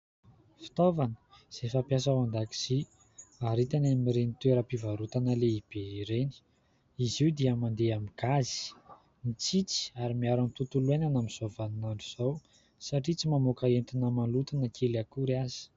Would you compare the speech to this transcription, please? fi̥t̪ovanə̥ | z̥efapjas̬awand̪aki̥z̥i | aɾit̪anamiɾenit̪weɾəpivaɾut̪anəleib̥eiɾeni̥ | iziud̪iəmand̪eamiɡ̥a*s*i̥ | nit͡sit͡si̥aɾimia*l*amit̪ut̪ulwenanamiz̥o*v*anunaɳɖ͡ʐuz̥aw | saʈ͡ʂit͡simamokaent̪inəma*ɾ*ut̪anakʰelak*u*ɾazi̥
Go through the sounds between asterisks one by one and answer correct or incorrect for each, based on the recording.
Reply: incorrect: z, incorrect: ɾ, correct, incorrect: l, correct

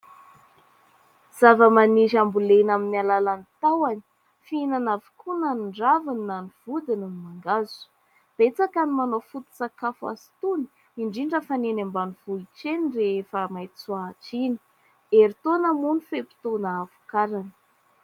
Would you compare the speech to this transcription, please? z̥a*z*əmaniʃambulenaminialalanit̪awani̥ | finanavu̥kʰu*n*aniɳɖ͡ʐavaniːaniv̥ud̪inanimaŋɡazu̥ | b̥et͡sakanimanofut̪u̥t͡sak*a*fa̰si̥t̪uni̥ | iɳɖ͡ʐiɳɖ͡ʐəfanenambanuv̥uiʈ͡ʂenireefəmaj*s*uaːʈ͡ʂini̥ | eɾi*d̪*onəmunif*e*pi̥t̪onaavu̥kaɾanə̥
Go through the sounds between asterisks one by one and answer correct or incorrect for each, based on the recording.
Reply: incorrect: v, correct, correct, incorrect: t͡s, incorrect: t̪, correct

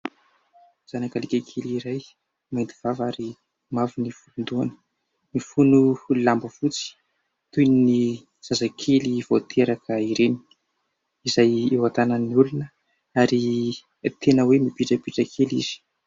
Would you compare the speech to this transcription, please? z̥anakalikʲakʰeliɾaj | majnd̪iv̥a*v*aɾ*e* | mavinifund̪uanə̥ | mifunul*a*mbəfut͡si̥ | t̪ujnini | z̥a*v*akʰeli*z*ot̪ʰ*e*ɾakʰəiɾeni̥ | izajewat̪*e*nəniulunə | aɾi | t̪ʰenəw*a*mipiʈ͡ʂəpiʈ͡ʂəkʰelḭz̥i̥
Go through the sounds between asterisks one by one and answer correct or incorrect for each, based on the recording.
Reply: correct, incorrect: i, correct, incorrect: z, incorrect: v, correct, incorrect: a, incorrect: e

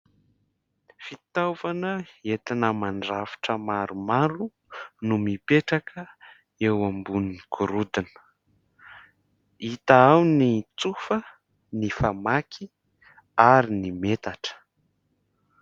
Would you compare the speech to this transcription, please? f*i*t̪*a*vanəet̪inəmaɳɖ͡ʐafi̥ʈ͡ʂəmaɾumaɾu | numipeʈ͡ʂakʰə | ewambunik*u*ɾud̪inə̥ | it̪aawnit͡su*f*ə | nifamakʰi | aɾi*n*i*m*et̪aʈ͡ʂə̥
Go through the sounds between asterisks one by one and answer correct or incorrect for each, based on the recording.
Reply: correct, correct, correct, correct, correct, correct

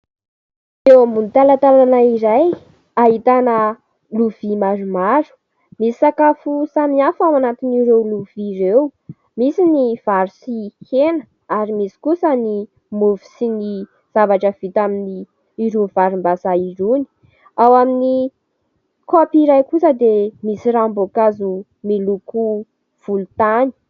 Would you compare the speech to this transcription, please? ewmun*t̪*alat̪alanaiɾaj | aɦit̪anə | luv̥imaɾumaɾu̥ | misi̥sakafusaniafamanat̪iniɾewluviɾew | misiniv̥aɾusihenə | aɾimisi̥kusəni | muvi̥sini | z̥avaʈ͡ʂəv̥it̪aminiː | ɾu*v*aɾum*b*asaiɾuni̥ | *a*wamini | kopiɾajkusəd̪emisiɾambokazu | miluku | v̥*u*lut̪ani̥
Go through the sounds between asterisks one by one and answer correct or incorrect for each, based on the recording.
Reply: correct, correct, correct, correct, correct

